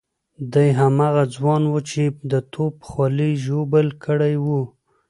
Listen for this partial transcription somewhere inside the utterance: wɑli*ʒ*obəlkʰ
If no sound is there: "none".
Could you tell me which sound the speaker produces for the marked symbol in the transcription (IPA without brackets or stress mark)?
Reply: ʒ